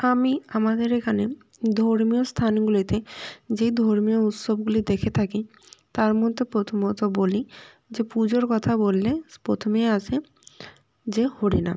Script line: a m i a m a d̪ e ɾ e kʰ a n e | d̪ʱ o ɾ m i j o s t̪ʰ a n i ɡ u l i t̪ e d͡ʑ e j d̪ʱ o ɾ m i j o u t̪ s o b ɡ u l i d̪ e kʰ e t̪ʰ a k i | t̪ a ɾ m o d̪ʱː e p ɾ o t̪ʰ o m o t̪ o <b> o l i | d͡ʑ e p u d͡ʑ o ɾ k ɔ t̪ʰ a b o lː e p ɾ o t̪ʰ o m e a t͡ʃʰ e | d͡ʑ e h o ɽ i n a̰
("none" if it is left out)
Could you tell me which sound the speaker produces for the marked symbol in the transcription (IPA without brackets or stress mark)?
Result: b